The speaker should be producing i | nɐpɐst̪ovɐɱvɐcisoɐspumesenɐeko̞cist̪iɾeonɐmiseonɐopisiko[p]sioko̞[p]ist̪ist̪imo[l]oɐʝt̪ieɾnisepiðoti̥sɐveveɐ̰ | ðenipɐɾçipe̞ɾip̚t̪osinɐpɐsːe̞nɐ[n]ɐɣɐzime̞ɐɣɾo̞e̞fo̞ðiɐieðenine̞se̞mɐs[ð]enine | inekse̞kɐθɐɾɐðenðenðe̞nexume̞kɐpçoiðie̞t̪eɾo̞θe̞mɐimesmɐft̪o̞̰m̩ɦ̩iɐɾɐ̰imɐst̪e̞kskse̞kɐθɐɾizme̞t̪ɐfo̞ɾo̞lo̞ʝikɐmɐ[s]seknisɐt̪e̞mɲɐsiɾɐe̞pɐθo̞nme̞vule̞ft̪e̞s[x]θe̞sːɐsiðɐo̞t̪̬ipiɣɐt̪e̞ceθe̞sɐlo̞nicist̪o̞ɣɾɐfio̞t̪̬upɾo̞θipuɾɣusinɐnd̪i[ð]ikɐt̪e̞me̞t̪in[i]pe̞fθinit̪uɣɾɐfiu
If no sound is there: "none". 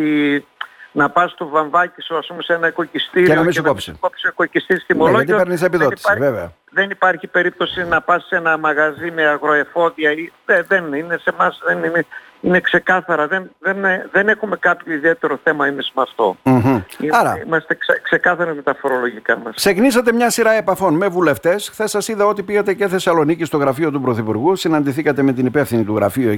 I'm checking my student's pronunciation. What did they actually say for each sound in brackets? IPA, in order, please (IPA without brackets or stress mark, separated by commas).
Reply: p, c, l, m, ð, s, x, θ, i